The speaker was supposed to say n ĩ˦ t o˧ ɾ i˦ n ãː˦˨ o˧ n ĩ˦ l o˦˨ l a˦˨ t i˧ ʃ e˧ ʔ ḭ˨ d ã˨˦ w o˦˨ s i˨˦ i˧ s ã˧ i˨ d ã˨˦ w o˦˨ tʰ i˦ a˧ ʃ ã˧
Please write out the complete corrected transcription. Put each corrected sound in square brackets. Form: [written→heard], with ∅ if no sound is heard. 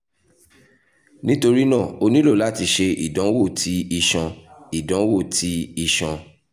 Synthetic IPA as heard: n ĩ˦ t o˧ ɾ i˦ n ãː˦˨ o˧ n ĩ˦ l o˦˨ l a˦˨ t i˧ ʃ e˧ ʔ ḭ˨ d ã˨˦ w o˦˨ [s→t] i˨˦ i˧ [s→ʃ] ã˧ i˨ d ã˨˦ w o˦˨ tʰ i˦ [a˧→i˧] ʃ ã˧